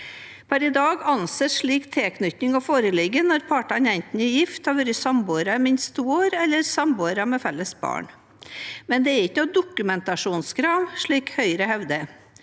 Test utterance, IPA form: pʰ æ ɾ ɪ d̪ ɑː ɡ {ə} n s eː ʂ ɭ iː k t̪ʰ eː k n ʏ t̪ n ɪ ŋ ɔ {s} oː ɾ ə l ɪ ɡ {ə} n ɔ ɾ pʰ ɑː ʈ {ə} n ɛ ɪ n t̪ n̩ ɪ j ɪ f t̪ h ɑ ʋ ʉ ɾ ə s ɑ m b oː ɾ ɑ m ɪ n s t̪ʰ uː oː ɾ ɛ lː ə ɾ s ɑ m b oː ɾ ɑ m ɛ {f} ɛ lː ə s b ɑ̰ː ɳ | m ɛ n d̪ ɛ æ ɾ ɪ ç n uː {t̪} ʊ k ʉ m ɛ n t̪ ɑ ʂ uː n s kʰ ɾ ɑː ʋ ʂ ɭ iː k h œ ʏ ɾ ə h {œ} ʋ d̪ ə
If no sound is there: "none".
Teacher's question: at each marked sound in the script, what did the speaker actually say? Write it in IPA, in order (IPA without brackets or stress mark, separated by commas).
ɑ, f, ə, ɑ, f, d̪, ɛ